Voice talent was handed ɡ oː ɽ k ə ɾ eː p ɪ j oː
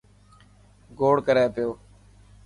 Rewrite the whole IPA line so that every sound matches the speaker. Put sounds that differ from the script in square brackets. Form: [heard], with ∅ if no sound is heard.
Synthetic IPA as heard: ɡ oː ɽ k ə ɾ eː p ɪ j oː